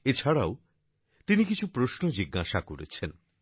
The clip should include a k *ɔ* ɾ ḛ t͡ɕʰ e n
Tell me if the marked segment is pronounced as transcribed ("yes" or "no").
no